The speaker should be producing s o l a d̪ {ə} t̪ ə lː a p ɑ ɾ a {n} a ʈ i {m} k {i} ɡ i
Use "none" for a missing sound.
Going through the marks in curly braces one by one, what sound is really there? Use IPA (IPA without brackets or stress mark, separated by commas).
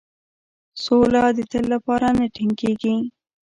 ə, n, ŋ, e